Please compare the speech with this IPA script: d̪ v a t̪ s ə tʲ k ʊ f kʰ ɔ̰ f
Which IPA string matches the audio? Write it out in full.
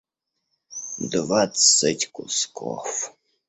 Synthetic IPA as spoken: d̪ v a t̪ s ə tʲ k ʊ s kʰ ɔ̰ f